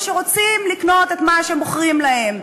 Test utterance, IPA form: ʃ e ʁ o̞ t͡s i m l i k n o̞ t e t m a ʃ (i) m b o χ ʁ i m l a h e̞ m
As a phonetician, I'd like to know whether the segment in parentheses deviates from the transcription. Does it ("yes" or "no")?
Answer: yes